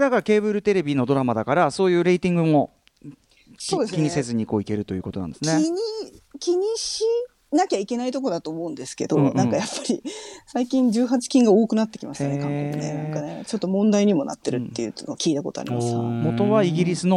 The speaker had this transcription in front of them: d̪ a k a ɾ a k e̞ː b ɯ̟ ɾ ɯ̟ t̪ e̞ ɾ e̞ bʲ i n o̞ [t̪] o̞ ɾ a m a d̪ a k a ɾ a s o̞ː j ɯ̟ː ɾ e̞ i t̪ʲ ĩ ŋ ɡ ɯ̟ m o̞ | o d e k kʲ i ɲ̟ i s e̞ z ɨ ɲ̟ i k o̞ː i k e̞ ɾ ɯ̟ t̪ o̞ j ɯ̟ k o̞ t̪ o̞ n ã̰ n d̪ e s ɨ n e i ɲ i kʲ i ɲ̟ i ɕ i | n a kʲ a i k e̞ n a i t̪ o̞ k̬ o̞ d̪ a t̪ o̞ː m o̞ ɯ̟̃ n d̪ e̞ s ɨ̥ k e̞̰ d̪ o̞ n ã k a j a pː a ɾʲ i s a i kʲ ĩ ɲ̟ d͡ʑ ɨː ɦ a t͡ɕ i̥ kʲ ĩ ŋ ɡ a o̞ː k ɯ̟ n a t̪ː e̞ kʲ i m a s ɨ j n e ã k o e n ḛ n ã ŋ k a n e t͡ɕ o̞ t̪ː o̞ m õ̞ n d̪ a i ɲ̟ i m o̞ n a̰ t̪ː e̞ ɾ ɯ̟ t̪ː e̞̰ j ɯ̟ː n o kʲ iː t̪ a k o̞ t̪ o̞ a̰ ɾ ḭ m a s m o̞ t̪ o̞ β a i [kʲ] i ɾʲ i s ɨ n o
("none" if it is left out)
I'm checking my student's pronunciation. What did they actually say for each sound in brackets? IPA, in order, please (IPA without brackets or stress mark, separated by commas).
d̪, ɡʲ